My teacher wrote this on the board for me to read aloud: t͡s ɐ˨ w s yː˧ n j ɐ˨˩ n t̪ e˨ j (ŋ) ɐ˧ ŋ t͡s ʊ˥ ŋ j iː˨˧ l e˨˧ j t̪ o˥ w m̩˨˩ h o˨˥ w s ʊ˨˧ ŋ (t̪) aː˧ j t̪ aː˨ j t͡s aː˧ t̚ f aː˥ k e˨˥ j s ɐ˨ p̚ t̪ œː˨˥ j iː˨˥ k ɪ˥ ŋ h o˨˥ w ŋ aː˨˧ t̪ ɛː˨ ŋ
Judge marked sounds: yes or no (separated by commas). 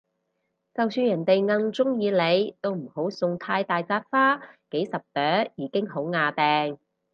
yes, no